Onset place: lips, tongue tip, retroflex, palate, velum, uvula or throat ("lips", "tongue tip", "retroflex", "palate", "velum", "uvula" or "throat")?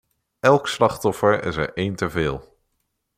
tongue tip